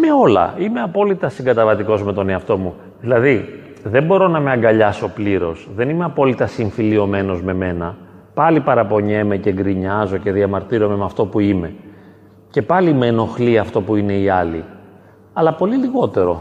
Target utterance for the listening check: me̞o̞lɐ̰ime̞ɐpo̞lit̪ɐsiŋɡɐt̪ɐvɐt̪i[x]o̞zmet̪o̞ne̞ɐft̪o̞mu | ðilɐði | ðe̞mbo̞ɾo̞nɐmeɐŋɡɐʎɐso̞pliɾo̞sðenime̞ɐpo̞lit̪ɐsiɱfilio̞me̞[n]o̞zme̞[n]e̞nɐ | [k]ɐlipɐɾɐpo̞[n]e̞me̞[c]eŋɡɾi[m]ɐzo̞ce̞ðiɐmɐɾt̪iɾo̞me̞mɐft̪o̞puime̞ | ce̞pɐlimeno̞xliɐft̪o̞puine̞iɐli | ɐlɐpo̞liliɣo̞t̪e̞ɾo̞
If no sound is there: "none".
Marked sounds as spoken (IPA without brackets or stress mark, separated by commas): k, n, m, p, ɲ, c, ɲ